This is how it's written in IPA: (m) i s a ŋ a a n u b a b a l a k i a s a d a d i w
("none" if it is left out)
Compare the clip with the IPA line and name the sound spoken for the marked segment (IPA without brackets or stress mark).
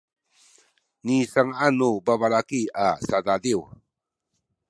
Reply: n